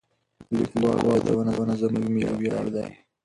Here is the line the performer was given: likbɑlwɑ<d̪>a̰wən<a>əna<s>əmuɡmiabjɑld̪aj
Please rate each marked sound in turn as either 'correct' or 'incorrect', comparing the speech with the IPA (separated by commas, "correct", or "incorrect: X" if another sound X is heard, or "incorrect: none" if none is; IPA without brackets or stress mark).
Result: correct, correct, incorrect: z